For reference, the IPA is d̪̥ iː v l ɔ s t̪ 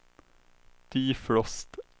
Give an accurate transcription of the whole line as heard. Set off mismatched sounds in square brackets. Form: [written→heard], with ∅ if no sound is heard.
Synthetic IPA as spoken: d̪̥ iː [v→f] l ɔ s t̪

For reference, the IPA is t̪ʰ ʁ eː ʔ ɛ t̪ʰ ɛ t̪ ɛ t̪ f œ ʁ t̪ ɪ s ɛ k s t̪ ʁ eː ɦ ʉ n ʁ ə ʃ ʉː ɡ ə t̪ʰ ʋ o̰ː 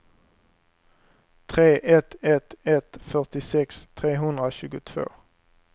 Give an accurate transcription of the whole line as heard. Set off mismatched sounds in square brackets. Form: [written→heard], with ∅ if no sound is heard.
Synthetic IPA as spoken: t̪ʰ ʁ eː ʔ ɛ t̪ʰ ɛ t̪ ɛ t̪ f œ ʁ t̪ ɪ s ɛ k s [t̪→t̪ʰ] ʁ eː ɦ ʉ n ʁ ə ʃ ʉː ɡ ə t̪ʰ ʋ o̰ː

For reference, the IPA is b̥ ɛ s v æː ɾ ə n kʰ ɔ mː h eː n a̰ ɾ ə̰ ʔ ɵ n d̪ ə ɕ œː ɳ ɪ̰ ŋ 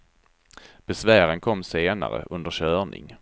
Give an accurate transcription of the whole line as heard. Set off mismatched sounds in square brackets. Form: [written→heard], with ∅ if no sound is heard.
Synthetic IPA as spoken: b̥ ɛ s v æː ɾ ə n kʰ ɔ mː [h→s] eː n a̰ ɾ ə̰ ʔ ɵ n d̪ ə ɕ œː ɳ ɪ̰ ŋ

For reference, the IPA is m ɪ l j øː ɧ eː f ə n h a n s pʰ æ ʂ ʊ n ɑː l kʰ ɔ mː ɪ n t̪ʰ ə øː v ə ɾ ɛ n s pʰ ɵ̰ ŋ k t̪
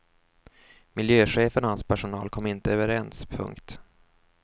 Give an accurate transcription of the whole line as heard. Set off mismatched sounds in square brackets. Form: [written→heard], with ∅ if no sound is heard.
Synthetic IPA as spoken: m ɪ l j øː ɧ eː f ə n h a n s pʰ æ ʂ ʊ n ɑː l kʰ ɔ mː ɪ n [t̪ʰ→t̪] ə øː v ə ɾ ɛ n s pʰ ɵ̰ ŋ k t̪

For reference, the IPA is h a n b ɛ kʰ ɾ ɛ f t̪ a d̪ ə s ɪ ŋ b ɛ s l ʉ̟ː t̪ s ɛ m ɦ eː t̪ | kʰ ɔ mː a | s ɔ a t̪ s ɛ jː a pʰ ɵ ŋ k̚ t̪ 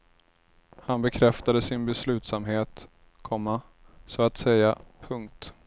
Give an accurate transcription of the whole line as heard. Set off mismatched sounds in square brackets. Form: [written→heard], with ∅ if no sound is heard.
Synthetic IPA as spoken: h a n b ɛ kʰ ɾ ɛ f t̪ a d̪ ə s ɪ [ŋ→n] b ɛ s l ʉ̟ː t̪ s [ɛ→a] m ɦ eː t̪ | kʰ ɔ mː a | s ɔ a t̪ s ɛ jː a pʰ ɵ ŋ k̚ t̪

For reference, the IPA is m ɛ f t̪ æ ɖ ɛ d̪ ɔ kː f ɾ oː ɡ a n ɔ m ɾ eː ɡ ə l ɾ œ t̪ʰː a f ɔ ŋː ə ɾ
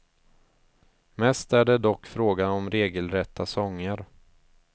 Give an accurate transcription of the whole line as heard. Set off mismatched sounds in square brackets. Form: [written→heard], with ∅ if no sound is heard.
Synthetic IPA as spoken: m ɛ [f→s] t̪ æ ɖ ɛ d̪ ɔ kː f ɾ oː ɡ a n ɔ m ɾ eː ɡ ə l ɾ [œ→ɛ] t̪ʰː a [f→s] ɔ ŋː ə ɾ

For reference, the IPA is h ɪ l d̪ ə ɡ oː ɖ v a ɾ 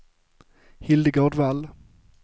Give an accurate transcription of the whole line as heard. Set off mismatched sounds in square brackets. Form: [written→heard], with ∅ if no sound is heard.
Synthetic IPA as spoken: h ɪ l d̪ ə ɡ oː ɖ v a [ɾ→l]

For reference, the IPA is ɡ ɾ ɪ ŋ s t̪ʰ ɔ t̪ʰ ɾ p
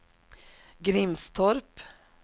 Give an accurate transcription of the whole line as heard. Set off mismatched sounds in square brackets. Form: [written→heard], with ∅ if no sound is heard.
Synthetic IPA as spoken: ɡ ɾ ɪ [ŋ→m] s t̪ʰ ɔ [t̪ʰ→∅] ɾ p

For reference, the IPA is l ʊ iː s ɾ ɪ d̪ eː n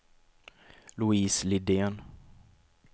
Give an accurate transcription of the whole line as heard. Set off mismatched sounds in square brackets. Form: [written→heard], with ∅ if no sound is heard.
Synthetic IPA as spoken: l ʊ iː s [ɾ→l] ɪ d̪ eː n

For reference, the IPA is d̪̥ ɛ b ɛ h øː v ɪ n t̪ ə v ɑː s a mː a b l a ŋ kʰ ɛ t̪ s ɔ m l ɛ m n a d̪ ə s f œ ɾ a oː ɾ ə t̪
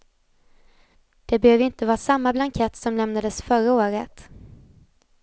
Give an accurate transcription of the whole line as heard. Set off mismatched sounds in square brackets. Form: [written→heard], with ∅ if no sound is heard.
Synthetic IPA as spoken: d̪̥ ɛ b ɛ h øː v ɪ n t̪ ə v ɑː s a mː a b l a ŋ kʰ ɛ t̪ s ɔ m l ɛ m n a d̪ ə s f œ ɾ a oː ɾ ə t̪

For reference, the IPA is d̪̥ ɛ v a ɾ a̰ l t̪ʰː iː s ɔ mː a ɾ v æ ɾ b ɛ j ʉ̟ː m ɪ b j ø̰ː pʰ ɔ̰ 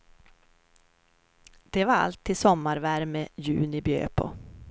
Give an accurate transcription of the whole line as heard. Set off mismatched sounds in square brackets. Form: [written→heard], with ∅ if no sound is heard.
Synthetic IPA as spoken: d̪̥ ɛ v a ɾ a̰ l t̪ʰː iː s ɔ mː a ɾ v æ ɾ [b→m] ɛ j ʉ̟ː [m→n] ɪ b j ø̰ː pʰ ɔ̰

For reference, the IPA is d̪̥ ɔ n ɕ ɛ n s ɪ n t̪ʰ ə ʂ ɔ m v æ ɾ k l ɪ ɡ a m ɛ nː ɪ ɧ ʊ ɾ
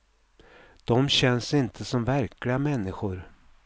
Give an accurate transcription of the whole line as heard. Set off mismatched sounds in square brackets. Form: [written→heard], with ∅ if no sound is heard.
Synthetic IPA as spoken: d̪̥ ɔ [n→m] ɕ ɛ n s ɪ n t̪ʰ ə [ʂ→s] ɔ m v æ ɾ k l ɪ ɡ a m ɛ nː ɪ ɧ ʊ ɾ

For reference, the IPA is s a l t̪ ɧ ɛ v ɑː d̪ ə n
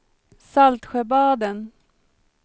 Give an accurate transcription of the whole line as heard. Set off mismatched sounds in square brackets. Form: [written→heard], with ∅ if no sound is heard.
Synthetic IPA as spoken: s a l t̪ ɧ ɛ [v→b] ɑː d̪ ə n

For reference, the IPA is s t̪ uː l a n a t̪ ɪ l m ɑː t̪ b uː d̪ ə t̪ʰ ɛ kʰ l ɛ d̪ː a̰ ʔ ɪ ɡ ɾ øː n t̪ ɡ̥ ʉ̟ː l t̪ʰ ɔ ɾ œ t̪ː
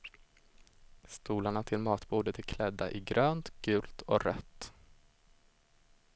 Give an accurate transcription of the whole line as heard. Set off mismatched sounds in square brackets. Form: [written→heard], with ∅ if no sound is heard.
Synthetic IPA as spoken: s t̪ uː l a [n→ɳ] a [t̪→t̪ʰ] ɪ l m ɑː t̪ b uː d̪ ə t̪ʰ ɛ kʰ l ɛ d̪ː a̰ ʔ ɪ ɡ ɾ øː n t̪ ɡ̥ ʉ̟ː l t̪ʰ ɔ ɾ œ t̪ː

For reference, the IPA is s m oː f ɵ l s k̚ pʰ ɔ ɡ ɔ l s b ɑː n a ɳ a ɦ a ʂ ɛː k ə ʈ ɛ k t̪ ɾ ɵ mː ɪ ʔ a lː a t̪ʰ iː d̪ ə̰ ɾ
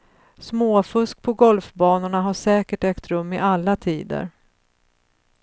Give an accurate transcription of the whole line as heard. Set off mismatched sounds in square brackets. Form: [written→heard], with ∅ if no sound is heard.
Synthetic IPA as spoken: s m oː f ɵ [l→∅] s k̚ pʰ ɔ ɡ ɔ l [s→f] b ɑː n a ɳ a ɦ a ʂ ɛː k ə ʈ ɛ k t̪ ɾ ɵ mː ɪ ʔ a lː a t̪ʰ iː d̪ ə̰ ɾ

